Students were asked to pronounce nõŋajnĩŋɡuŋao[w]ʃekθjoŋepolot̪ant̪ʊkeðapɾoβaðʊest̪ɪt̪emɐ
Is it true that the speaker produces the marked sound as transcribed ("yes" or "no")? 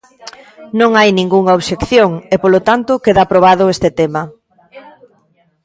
no